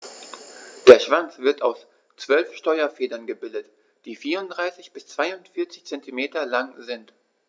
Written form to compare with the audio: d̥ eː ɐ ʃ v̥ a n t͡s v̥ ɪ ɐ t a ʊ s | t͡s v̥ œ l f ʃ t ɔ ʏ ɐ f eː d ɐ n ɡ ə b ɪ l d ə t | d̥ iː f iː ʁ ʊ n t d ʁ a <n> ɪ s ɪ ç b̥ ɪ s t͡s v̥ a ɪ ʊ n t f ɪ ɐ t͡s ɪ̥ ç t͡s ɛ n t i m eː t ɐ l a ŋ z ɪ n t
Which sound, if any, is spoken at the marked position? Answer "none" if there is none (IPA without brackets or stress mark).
none